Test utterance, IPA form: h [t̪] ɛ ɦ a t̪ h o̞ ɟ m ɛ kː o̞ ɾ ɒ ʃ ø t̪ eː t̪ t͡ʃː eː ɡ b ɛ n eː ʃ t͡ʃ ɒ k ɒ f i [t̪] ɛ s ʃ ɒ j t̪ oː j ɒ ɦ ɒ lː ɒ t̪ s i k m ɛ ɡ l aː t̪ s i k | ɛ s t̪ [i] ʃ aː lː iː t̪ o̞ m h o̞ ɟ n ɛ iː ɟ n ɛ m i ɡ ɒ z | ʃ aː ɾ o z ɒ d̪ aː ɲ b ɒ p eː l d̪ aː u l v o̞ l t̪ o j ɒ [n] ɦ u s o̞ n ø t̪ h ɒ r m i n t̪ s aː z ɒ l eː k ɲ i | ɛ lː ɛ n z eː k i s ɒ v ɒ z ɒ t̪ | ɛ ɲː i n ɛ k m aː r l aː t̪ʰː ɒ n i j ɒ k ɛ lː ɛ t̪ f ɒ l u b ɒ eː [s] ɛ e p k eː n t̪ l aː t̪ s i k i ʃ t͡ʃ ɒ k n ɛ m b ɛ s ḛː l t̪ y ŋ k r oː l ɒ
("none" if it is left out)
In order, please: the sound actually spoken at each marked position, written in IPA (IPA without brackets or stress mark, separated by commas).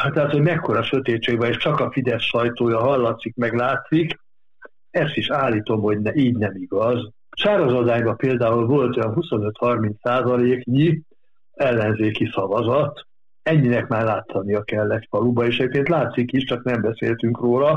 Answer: t̪, d̪, i, n, ʃ